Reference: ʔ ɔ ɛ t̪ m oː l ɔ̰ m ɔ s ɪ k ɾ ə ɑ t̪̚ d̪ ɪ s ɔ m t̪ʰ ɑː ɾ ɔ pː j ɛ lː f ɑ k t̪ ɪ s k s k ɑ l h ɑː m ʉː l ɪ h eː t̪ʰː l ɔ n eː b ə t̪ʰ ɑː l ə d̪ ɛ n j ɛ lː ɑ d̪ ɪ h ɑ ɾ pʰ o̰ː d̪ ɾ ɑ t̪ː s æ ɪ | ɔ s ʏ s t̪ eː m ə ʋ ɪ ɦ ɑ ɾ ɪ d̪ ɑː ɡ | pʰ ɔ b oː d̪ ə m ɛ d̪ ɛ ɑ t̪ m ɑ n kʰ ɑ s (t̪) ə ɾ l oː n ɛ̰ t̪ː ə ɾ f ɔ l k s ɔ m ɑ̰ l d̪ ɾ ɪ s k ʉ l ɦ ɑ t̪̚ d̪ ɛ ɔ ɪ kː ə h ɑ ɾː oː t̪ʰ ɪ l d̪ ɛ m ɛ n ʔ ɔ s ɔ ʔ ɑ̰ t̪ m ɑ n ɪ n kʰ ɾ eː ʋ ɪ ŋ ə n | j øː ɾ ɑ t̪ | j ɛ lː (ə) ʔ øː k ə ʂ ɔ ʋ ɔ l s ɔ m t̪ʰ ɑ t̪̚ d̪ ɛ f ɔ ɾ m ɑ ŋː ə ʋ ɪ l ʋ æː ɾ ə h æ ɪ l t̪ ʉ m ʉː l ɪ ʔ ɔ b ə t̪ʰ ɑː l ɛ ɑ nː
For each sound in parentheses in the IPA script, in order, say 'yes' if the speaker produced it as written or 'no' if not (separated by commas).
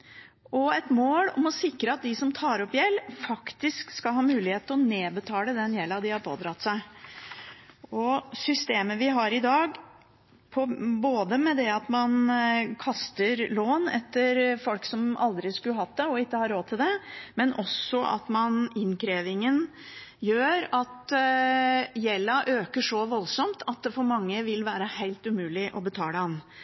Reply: yes, no